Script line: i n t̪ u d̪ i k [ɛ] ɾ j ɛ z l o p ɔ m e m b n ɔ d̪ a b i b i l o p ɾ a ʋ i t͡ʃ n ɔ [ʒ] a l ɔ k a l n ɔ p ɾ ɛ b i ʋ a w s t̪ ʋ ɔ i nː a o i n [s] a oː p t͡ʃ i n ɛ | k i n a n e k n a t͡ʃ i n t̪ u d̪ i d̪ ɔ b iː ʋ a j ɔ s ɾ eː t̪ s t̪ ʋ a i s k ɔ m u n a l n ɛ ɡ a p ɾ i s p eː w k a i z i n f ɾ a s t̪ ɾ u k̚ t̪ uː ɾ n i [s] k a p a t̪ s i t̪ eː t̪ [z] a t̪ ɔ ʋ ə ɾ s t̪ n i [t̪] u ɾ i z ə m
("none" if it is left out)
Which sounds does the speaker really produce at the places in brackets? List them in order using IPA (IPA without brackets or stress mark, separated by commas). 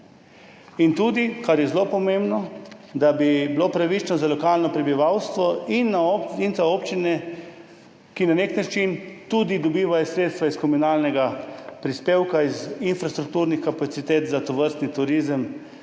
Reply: a, z, z, x, z, t̪